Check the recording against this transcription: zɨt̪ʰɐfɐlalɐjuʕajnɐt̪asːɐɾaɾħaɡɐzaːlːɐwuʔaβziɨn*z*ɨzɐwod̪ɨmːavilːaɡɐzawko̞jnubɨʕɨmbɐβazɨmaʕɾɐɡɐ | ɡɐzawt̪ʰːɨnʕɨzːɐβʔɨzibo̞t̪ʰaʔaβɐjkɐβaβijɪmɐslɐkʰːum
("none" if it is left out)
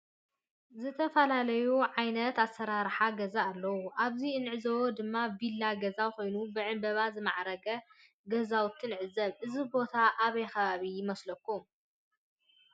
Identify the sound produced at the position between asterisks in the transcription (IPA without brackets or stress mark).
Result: ʕ